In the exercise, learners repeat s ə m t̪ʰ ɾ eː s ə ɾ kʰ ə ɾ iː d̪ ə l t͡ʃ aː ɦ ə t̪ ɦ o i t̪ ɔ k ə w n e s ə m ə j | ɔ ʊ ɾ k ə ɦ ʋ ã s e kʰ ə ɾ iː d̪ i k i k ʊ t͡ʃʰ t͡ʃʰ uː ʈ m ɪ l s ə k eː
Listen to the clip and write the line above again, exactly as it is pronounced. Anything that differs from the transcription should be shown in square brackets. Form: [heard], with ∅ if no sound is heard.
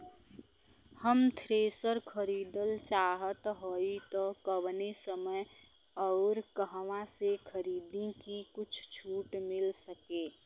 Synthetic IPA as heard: [h] ə m t̪ʰ ɾ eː s ə ɾ kʰ ə ɾ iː d̪ ə l t͡ʃ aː ɦ ə t̪ ɦ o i t̪ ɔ k ə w n e s ə m ə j | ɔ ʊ ɾ k ə ɦ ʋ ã s e kʰ ə ɾ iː d̪ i k i k ʊ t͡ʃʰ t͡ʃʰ uː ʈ m ɪ l s ə k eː

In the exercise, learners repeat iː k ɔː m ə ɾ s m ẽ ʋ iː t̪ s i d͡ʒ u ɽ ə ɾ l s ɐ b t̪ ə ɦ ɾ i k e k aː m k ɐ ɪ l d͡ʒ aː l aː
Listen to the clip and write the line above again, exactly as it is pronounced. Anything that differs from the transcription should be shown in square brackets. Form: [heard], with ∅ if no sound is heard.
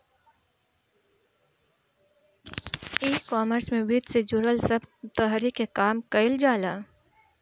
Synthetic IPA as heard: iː k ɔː m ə ɾ s m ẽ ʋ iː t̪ s [e] d͡ʒ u [ɾ] ə [∅] l s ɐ b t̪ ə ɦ ɾ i k e k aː m k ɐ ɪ l d͡ʒ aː l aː

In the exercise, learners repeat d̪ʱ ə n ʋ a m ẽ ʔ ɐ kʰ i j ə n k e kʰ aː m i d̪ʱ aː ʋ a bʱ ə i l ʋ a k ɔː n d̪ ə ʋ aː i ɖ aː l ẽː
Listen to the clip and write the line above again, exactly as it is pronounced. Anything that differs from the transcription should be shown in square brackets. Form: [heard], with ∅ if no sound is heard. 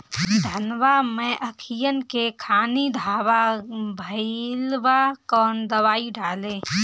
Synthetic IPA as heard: d̪ʱ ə n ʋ a m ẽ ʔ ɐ kʰ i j ə n k e kʰ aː [n] i d̪ʱ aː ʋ a bʱ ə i l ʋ a k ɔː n d̪ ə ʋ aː i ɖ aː l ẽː

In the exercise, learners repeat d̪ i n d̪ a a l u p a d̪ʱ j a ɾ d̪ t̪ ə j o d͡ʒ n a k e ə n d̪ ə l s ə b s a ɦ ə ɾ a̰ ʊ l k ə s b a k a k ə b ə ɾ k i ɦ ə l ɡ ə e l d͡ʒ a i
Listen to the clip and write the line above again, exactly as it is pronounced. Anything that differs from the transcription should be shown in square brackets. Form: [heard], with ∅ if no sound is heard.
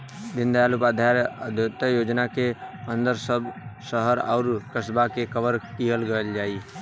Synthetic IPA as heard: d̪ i n d̪ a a l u p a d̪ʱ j a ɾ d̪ t̪ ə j o d͡ʒ n a k e ə n d̪ ə [ɾ] s ə b s [ə] ɦ ə ɾ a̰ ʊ [ɾ] k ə s b a k [e] k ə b ə ɾ k i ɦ ə l ɡ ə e l d͡ʒ a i

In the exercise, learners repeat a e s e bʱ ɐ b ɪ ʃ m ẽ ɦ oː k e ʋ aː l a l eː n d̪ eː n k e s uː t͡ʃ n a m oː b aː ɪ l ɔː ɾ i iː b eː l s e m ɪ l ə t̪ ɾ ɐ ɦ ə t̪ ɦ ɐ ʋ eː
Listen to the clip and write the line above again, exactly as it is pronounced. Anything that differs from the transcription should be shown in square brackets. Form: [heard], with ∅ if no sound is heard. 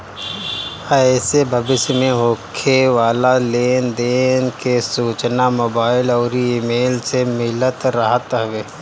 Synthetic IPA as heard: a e s e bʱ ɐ b ɪ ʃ m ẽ ɦ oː [kʰ] e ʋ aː l a l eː n d̪ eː n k e s uː t͡ʃ n a m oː b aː ɪ l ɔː ɾ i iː [m] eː l s e m ɪ l ə t̪ ɾ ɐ ɦ ə t̪ ɦ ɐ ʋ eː

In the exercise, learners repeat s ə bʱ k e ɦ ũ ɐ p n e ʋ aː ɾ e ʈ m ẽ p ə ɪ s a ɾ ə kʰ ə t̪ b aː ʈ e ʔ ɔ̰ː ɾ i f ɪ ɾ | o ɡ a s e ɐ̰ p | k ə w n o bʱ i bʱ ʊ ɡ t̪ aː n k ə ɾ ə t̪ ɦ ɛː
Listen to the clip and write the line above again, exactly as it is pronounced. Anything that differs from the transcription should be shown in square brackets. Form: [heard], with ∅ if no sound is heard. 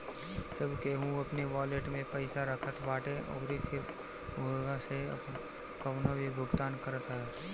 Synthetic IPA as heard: s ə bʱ k e ɦ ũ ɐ p n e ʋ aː [l] e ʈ m ẽ p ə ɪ s a ɾ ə kʰ ə t̪ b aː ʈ e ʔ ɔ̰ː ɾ i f ɪ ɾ | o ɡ a s e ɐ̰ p | k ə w n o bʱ i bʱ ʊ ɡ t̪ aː n k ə ɾ ə t̪ ɦ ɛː

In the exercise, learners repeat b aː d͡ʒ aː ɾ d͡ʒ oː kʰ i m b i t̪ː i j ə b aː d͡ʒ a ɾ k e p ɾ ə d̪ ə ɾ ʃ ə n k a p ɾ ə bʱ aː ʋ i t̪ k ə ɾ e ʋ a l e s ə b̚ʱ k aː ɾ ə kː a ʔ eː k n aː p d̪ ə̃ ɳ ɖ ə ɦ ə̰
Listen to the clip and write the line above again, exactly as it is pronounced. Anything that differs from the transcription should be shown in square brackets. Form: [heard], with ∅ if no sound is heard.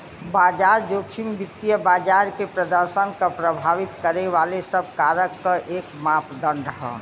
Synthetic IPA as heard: b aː d͡ʒ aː ɾ d͡ʒ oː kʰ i m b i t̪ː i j ə b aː d͡ʒ a ɾ k e p ɾ ə d̪ ə ɾ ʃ ə n k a p ɾ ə bʱ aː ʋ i t̪ k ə ɾ e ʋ a l e s ə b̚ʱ k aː ɾ ə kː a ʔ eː k [m] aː p d̪ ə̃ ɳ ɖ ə ɦ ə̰

